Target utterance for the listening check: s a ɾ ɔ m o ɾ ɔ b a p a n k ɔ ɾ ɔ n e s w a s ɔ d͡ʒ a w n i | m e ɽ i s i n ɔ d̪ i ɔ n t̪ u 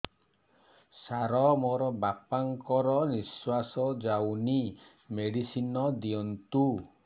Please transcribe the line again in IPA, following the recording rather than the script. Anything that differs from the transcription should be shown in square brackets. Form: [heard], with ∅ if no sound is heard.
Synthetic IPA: s a ɾ ɔ m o ɾ ɔ b a p a [ŋ] k ɔ ɾ ɔ n [i] s w a s ɔ d͡ʒ a w n i | m e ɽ i s i n ɔ d̪ i ɔ n t̪ u

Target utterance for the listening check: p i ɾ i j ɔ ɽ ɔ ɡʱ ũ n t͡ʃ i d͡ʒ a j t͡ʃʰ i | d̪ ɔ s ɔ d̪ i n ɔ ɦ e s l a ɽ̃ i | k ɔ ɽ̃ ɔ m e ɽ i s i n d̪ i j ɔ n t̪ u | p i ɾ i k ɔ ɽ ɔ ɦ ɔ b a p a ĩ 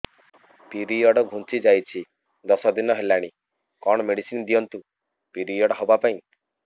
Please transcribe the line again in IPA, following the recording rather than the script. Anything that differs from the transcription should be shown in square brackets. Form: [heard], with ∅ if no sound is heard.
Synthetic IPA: p i ɾ i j ɔ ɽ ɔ ɡʱ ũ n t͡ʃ i d͡ʒ a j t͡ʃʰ i | d̪ ɔ s ɔ d̪ i n ɔ ɦ e [∅] l a ɽ̃ i | k ɔ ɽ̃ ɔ m e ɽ i s i n d̪ i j ɔ n t̪ u | p i ɾ i [∅] ɔ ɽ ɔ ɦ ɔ b a p a ĩ

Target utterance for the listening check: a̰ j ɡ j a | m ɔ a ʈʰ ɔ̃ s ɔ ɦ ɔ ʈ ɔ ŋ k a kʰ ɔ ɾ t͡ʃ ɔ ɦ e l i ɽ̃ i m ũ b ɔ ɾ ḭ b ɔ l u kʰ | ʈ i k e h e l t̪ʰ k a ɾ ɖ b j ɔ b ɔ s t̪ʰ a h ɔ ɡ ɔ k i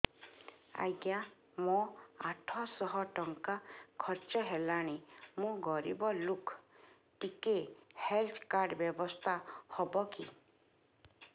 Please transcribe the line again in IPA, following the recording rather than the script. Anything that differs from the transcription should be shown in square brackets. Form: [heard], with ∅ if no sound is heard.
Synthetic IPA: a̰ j ɡ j a | m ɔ a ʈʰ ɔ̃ s ɔ ɦ ɔ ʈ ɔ ŋ k a kʰ ɔ ɾ t͡ʃ ɔ ɦ e l [a] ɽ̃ i m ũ [ɡ] ɔ ɾ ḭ b ɔ l u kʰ | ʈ i k e h e l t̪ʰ k a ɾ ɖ b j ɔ b ɔ s t̪ʰ a h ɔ [b] ɔ k i

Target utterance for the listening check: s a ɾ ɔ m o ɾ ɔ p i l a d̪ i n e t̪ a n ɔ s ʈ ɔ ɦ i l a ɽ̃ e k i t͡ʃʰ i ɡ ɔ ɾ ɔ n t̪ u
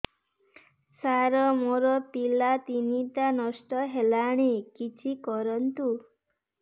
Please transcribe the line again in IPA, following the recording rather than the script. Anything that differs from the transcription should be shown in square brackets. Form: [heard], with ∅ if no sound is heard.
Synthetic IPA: s a ɾ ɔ m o ɾ ɔ p i l a [t̪] i n [i] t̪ a n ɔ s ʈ ɔ ɦ [e] l a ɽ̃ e k i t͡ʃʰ i [k] ɔ ɾ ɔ n t̪ u

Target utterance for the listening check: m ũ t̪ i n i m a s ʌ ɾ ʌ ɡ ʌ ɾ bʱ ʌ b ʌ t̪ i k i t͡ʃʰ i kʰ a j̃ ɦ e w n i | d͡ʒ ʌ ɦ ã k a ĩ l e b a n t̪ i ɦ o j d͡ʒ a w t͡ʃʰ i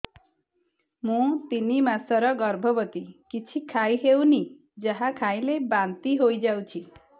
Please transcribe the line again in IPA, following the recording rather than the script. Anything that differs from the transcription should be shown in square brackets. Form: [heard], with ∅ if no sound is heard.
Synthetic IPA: m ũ t̪ i n i m a s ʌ ɾ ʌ ɡ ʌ ɾ bʱ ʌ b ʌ t̪ i k i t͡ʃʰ i kʰ a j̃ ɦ e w n i | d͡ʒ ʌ ɦ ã [kʰ] a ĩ l e b a n t̪ i ɦ o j d͡ʒ a w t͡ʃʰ i

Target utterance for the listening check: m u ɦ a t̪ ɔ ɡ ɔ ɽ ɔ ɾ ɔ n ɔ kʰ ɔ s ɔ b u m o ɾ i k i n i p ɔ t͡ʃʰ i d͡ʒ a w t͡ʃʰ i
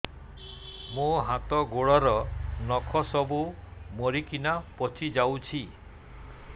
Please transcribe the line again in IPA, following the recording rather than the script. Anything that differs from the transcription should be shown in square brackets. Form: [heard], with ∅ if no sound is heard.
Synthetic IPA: m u ɦ a t̪ ɔ ɡ [o] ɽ ɔ ɾ ɔ n ɔ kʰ ɔ s ɔ b u m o ɾ i k i n [a] p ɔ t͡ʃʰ i d͡ʒ a w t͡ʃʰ i

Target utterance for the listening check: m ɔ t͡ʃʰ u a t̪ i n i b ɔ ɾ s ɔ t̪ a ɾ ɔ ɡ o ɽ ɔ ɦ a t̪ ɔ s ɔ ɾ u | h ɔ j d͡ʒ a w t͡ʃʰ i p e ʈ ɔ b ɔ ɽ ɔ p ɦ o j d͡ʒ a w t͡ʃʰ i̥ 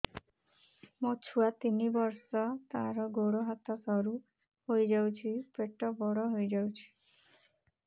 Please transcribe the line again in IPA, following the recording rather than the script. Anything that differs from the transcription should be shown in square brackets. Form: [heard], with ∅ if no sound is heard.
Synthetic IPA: m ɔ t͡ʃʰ u a t̪ i n i b ɔ ɾ s ɔ t̪ a ɾ ɔ ɡ o ɽ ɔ ɦ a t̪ ɔ s ɔ ɾ u | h [o] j d͡ʒ a w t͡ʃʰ i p e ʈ ɔ b ɔ ɽ ɔ [∅] ɦ o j d͡ʒ a w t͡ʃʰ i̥

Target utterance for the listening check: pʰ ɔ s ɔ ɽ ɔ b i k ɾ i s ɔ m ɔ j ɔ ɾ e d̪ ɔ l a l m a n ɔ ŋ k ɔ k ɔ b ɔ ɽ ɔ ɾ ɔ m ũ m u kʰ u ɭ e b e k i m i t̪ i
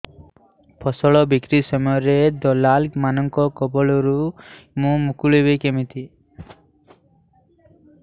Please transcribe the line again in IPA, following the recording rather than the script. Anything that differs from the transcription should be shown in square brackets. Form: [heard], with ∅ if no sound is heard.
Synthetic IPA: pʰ ɔ s ɔ [ɭ] ɔ b i k ɾ i s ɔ m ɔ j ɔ ɾ e d̪ ɔ l a l m a n ɔ ŋ k ɔ k ɔ b ɔ [ɭ] ɔ ɾ [u] m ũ m u [k] u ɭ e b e k [e] m i t̪ i

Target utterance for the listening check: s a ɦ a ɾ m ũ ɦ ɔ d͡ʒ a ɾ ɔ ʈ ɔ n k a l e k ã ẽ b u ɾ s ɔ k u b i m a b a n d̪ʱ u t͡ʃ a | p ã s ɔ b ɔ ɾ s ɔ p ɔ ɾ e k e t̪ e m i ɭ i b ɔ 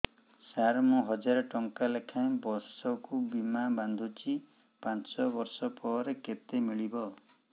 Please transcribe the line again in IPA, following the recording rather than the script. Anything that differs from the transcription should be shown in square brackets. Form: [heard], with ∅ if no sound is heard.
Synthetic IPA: s a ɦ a ɾ m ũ ɦ ɔ d͡ʒ a ɾ ɔ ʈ ɔ [ŋ] k a l e [kʰ] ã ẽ b [ɔ] ɾ s ɔ k u b i m a b a n d̪ʱ u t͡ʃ [i] | p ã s ɔ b ɔ ɾ s ɔ p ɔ ɾ e k e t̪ e m i ɭ i b ɔ

